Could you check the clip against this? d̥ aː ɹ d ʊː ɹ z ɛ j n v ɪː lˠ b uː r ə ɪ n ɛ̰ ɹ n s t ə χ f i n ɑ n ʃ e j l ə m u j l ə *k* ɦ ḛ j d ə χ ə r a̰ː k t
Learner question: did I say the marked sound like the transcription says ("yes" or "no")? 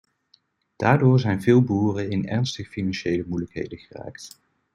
yes